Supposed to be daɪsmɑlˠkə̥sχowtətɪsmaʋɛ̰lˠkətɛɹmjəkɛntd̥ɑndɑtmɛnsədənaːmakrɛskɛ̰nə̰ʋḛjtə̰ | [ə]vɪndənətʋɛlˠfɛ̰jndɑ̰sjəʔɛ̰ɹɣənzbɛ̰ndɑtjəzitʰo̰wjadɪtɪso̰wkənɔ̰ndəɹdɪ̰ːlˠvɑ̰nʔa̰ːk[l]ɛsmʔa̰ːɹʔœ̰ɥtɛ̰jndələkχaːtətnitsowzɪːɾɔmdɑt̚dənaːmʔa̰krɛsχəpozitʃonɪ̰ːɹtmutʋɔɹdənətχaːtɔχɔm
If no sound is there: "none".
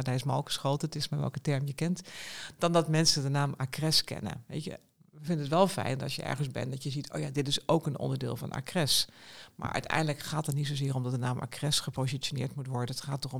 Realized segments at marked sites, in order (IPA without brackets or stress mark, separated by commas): ə, r